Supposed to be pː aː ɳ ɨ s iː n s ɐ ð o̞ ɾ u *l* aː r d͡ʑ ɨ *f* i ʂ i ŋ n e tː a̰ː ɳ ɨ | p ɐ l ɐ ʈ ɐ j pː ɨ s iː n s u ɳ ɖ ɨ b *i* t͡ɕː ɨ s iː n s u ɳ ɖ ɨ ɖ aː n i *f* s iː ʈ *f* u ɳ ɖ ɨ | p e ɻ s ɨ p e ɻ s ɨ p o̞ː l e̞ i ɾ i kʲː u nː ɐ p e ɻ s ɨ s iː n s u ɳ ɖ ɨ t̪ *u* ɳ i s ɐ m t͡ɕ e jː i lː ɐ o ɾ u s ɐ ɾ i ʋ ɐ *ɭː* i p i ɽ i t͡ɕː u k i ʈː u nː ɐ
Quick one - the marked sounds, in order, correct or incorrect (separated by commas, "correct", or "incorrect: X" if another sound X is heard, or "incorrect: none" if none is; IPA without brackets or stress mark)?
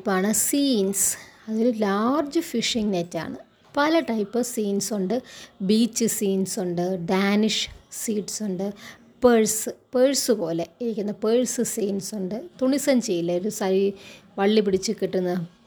correct, correct, incorrect: iː, incorrect: ʂ, incorrect: s, correct, correct